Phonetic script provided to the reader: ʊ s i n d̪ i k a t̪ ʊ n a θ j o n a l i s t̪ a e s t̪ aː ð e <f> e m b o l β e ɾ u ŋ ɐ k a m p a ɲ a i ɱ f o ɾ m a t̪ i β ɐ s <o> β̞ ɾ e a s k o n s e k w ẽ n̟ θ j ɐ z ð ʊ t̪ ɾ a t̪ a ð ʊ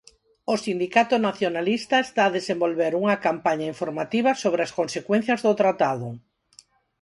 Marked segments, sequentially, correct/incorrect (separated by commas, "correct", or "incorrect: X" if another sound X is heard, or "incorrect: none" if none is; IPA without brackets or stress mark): incorrect: s, correct